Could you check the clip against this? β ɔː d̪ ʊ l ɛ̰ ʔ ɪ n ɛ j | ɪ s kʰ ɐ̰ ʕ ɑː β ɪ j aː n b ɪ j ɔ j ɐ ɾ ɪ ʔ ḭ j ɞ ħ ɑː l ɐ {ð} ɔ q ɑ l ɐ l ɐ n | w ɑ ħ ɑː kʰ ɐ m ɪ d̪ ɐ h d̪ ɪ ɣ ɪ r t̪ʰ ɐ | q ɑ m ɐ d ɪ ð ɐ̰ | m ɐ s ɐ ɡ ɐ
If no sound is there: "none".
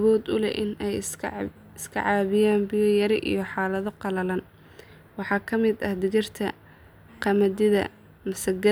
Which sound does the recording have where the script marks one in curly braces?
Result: ð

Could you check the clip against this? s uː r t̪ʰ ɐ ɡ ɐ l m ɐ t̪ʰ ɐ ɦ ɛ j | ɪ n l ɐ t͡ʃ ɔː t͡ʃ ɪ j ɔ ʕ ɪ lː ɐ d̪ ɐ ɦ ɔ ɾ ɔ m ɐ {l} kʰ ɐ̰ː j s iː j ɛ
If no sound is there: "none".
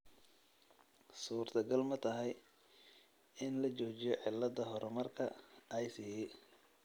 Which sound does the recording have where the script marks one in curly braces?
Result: r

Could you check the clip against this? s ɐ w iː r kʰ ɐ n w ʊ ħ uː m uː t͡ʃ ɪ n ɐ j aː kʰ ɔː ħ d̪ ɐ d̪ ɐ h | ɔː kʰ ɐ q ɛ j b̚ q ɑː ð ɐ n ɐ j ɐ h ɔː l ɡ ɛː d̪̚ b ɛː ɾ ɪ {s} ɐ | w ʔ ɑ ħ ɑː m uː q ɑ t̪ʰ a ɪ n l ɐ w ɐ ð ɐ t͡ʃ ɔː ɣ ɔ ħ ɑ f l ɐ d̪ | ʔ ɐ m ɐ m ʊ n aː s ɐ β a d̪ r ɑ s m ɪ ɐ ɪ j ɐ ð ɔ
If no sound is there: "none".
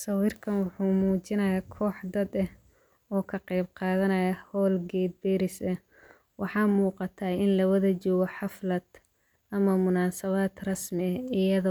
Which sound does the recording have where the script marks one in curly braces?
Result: s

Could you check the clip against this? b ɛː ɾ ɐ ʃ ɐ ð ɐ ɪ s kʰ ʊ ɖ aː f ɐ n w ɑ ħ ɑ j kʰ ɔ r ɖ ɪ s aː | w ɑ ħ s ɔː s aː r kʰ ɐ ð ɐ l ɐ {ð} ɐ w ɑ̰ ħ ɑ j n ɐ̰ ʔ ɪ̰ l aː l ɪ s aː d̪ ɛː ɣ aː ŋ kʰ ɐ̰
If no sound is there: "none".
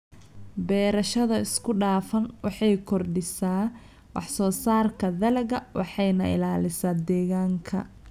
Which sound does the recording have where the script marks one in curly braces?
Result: ɣ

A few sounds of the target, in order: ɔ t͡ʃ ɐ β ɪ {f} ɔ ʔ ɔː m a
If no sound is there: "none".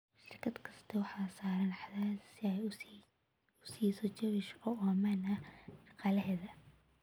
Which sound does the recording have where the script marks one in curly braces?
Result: ʃ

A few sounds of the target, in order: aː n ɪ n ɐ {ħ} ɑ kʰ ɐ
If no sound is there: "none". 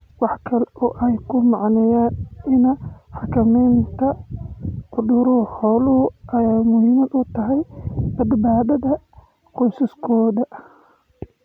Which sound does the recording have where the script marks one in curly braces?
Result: ħ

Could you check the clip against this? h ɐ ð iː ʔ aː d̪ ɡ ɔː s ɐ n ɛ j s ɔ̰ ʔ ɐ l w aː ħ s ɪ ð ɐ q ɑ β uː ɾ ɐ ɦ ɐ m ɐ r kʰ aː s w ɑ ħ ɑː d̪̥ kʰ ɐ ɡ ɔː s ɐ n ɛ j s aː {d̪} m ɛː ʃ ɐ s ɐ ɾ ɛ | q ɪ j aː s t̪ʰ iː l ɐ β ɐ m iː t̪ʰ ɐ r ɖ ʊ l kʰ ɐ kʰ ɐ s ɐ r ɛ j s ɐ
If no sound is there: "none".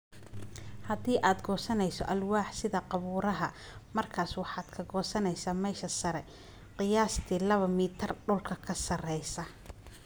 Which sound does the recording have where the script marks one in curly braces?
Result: none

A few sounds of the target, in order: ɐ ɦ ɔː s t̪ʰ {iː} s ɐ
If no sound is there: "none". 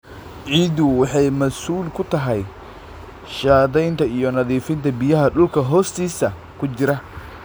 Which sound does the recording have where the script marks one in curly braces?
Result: iː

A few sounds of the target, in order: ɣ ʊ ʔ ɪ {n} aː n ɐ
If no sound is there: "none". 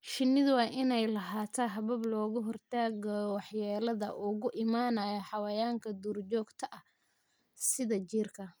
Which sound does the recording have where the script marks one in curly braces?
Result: m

